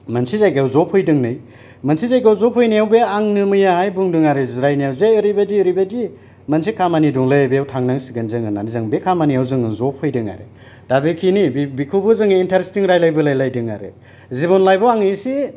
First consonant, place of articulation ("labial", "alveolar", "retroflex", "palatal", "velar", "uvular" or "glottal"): labial